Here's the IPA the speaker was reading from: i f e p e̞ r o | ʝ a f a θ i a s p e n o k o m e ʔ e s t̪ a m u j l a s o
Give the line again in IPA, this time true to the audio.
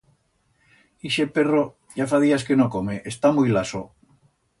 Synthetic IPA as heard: i ʃ e p e̞ r o | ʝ a f a ð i a s k e n o k o m e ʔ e s t̪ a m u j l a s o